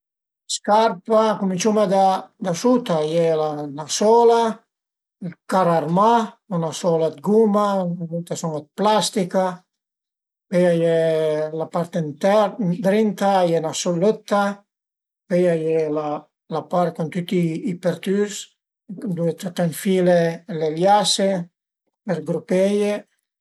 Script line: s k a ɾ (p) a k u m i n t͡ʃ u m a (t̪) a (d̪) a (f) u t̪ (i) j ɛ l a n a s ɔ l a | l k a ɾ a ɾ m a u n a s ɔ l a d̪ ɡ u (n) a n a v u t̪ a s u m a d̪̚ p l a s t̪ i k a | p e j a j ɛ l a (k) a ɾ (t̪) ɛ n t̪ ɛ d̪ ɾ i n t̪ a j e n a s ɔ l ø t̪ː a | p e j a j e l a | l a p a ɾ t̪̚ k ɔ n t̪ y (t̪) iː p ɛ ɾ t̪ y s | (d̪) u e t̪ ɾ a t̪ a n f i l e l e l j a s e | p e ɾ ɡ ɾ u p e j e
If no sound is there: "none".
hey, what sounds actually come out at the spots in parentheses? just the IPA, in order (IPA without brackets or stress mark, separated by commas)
p, d̪, d̪, s, a, m, p, t̪, t̪, d̪